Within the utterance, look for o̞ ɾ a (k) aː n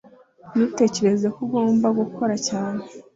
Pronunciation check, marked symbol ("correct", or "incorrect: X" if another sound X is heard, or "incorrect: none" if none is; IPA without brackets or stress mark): incorrect: c